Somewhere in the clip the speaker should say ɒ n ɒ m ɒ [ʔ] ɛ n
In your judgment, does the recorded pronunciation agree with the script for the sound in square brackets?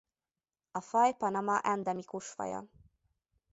yes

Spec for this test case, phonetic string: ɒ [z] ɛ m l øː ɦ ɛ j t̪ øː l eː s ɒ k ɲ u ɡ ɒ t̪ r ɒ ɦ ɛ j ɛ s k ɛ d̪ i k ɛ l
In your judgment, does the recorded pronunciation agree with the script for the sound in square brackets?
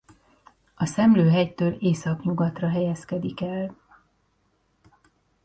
no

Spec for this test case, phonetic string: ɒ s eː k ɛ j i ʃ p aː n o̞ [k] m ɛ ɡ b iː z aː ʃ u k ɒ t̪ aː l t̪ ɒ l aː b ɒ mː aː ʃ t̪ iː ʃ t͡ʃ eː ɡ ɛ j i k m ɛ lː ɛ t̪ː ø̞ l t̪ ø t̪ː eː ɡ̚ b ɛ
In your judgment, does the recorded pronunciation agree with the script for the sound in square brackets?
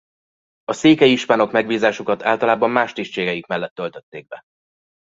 yes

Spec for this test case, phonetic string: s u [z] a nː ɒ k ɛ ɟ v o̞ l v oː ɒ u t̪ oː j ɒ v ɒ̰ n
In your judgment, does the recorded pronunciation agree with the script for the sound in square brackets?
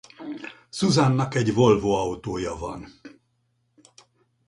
yes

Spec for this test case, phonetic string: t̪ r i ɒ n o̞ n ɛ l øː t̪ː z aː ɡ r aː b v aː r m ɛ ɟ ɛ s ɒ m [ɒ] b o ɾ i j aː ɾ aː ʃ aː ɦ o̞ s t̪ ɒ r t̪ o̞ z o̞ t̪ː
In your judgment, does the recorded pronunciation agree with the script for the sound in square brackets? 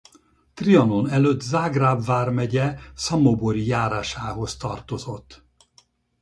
no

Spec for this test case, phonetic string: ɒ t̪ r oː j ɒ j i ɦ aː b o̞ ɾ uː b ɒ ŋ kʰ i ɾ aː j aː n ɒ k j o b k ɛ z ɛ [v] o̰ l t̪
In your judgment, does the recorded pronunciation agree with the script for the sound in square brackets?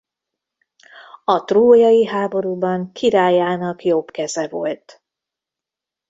yes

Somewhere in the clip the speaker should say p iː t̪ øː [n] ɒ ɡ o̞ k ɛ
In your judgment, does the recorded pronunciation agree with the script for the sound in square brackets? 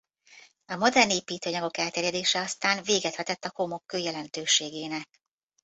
no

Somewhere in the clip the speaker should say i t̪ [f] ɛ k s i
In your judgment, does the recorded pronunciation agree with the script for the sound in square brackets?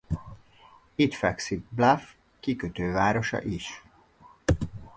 yes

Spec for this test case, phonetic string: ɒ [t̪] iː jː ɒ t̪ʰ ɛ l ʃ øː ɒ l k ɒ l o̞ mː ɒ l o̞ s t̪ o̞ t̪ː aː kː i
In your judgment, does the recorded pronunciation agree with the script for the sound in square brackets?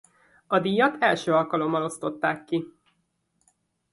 no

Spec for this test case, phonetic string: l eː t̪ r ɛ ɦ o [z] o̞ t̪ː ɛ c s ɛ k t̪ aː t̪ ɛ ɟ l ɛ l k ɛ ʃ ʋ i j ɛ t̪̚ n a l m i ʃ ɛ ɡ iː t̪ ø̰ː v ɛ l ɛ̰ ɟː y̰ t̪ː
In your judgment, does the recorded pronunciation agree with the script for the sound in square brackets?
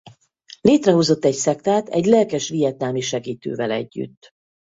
yes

